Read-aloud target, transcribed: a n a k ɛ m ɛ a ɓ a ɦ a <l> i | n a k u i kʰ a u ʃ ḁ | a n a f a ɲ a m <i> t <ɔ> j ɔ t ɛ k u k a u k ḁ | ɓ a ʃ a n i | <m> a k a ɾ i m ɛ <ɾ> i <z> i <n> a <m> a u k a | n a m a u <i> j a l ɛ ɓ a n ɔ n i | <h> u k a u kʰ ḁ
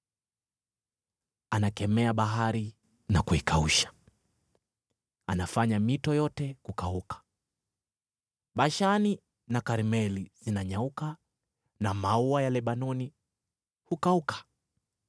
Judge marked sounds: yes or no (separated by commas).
no, yes, yes, no, no, yes, yes, no, no, yes